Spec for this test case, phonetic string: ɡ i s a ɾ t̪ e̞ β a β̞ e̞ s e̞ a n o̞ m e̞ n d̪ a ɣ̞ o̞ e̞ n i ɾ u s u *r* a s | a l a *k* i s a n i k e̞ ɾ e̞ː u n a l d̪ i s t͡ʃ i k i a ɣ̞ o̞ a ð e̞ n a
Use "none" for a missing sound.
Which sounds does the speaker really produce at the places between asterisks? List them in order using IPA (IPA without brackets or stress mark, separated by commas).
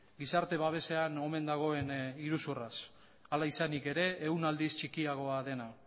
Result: r, none